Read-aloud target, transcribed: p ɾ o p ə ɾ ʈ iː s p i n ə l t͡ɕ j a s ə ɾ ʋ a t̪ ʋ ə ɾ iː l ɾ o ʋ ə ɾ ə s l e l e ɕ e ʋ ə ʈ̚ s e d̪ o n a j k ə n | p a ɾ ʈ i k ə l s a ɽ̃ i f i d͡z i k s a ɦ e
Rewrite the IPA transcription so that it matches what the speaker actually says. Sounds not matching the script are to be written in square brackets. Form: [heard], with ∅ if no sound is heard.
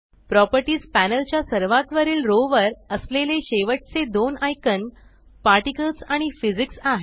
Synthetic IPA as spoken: p ɾ [ɔ] p ə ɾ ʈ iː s p [æ] n ə l t͡ɕ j a s ə ɾ ʋ a t̪ ʋ ə ɾ iː l ɾ o ʋ ə ɾ ə s l e l e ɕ e ʋ ə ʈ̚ [t͡s] e d̪ o n a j k ə n | p a ɾ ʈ i k ə l s a ɽ̃ i f i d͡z i k s a ɦ e

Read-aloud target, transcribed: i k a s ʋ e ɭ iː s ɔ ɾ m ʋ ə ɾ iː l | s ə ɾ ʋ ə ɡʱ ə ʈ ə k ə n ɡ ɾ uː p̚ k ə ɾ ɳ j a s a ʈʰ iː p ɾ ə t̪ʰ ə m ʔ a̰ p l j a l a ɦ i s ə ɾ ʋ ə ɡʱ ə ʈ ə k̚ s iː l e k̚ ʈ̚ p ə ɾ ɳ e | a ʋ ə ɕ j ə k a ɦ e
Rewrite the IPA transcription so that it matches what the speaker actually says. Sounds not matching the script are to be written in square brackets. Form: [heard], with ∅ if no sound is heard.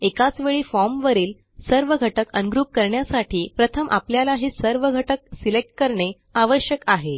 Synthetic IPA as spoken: [e] k a [t͡s] ʋ e ɭ iː [f] ɔ ɾ m ʋ ə ɾ iː l | s ə ɾ ʋ ə ɡʱ ə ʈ ə k ə n ɡ ɾ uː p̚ k ə ɾ ɳ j a s a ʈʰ iː p ɾ ə t̪ʰ ə m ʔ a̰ p l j a l a ɦ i s ə ɾ ʋ ə ɡʱ ə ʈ ə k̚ s [i] l e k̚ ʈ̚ [k] ə ɾ ɳ e | a ʋ ə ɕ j ə k a ɦ e

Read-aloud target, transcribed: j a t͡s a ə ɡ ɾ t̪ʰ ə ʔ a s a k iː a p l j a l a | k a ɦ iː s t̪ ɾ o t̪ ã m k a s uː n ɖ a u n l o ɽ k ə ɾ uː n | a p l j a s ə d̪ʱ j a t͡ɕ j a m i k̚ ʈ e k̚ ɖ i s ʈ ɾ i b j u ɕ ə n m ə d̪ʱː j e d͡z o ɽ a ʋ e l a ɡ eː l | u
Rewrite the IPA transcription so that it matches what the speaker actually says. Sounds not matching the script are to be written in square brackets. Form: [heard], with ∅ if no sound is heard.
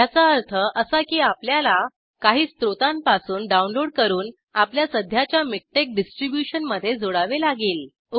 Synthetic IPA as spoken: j a t͡s a ə [∅] ɾ t̪ʰ ə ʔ [ə] s a k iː a p l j a l a | k a ɦ iː s t̪ ɾ o t̪ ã m [p] a s uː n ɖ a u n l o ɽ k ə ɾ uː n | a p l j a s ə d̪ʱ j a t͡ɕ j a m i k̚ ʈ e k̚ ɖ i s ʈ ɾ i b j u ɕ ə n m ə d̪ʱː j e d͡z o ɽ a ʋ e l a ɡ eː l | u

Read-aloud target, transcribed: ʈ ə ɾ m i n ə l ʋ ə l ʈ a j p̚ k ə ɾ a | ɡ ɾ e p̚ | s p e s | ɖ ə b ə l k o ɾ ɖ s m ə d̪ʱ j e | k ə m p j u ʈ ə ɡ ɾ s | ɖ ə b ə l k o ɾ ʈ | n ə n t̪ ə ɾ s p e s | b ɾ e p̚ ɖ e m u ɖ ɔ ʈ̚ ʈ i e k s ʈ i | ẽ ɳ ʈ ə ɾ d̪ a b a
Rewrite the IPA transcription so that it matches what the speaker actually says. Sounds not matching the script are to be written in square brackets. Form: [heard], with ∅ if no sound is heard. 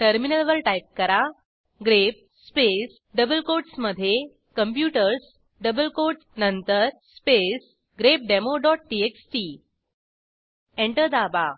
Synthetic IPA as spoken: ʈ ə ɾ m i n ə l ʋ ə l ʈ a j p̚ k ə ɾ a | ɡ ɾ e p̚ | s p e s | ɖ ə b ə l k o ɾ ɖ s m ə d̪ʱ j e | k ə m p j u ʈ ə [∅] ɾ s | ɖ ə b ə l k o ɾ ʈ | n ə n t̪ ə ɾ s p e s | [ɡ] ɾ e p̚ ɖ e m [o] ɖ ɔ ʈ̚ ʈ i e k s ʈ i | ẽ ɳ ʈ ə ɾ d̪ a b a

